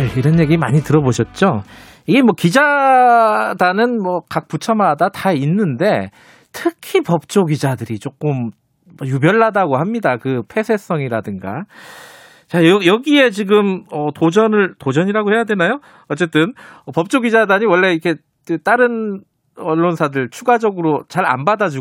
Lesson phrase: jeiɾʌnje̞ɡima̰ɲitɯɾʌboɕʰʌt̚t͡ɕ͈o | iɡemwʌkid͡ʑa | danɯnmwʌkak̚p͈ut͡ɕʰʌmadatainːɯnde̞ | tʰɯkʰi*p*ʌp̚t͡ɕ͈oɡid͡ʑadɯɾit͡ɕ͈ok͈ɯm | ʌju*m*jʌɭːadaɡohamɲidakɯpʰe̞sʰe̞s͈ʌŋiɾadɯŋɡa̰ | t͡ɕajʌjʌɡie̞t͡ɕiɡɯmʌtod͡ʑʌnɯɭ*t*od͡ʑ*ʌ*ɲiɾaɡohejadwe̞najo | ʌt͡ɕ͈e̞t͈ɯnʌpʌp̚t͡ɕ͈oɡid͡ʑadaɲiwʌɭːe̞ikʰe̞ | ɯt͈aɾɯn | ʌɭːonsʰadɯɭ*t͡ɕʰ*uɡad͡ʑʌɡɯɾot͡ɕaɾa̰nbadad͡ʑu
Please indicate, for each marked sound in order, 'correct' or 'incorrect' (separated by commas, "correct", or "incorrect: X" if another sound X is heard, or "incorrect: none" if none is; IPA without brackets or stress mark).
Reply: correct, incorrect: b, correct, correct, correct